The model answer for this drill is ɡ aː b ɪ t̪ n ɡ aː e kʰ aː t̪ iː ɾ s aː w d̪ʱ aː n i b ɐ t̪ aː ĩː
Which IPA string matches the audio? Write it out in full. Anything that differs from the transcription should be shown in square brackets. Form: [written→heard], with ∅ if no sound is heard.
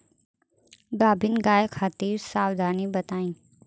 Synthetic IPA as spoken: ɡ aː b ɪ [t̪→∅] n ɡ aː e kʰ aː t̪ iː ɾ s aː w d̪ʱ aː n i b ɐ t̪ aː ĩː